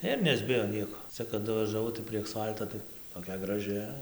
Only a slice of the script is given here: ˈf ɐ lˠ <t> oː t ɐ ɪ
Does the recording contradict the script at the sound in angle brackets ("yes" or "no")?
no